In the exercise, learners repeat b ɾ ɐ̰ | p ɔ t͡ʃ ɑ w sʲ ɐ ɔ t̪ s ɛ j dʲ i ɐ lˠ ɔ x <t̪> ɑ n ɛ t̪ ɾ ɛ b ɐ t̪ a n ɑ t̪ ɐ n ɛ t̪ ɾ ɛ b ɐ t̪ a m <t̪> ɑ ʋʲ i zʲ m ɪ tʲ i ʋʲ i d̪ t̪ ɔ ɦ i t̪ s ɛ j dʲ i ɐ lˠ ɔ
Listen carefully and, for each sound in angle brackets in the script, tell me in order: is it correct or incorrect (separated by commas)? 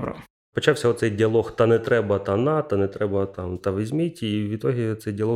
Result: correct, correct